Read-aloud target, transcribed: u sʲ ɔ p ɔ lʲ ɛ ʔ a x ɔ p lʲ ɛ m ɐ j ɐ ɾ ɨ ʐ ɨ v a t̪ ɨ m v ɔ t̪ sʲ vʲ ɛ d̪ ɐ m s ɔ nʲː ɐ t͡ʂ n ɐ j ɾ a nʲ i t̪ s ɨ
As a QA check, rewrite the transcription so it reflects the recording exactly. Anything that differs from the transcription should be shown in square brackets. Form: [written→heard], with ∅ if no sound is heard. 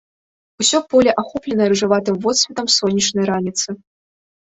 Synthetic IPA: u sʲ ɔ p ɔ lʲ ɛ ʔ a x ɔ p lʲ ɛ [m→n] ɐ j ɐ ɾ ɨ ʐ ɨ v a t̪ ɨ m v ɔ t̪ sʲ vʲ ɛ [d̪→t̪] ɐ m s ɔ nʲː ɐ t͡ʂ n ɐ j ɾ a nʲ i t̪ s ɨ